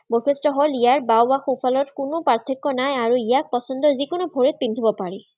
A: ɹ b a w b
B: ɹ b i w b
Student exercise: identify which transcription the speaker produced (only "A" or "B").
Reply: A